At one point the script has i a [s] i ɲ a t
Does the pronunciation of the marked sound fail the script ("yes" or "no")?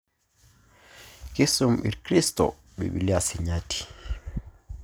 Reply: no